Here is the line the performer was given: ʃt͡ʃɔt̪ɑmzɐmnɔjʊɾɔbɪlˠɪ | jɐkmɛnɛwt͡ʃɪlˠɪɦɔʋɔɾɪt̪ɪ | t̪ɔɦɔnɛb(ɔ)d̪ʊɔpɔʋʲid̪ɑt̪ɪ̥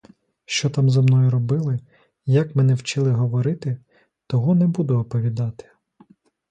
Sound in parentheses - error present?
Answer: yes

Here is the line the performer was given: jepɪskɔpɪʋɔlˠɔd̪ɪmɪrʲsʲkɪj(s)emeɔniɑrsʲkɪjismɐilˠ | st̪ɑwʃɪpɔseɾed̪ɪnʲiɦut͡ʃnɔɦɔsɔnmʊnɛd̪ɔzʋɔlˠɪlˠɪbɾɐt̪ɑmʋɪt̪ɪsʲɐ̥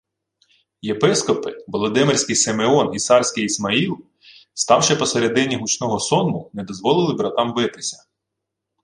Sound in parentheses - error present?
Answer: no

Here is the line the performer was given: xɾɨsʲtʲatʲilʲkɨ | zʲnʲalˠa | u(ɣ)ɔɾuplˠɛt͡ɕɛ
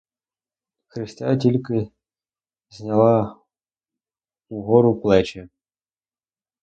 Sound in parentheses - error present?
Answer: no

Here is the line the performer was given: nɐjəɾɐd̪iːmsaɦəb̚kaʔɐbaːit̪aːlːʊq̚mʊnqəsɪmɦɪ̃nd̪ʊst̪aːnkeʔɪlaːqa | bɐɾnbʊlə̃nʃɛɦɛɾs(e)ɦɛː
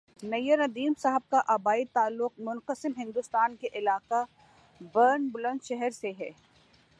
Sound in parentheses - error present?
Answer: no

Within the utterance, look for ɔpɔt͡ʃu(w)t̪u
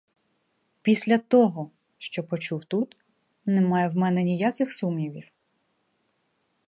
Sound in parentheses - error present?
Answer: no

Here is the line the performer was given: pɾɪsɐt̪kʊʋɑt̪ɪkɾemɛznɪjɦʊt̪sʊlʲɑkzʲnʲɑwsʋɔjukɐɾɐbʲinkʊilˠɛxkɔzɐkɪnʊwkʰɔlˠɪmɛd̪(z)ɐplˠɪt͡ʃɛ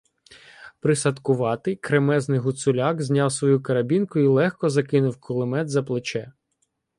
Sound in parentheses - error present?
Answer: no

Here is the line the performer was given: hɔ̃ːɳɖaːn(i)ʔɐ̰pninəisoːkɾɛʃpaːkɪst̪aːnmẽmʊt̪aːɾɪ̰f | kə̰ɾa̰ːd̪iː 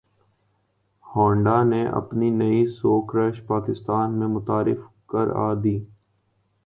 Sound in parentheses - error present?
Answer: yes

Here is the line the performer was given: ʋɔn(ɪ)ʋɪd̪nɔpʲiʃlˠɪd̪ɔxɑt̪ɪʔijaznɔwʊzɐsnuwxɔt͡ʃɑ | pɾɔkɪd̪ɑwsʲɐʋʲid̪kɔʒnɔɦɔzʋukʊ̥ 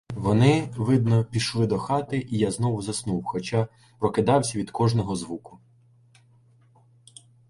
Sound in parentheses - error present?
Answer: no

